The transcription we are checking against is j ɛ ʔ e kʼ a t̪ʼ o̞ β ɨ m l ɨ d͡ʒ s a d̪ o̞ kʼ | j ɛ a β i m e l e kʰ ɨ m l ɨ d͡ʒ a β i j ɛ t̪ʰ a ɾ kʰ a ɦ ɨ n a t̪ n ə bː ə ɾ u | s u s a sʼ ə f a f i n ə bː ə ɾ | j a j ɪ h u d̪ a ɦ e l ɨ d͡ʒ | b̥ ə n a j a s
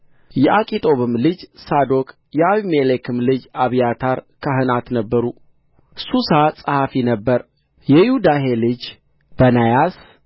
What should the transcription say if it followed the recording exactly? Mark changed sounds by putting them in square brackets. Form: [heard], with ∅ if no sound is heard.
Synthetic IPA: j ɛ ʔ [a] kʼ [i] t̪ʼ o̞ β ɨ m l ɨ d͡ʒ s a d̪ o̞ kʼ | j ɛ a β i m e l e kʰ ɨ m l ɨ d͡ʒ a β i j [a] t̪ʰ a ɾ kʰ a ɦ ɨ n a t̪ n ə bː ə ɾ u | s u s a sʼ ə [h] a f i n ə bː ə ɾ | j [ɛ] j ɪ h u d̪ a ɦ e l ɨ d͡ʒ | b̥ ə n a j a s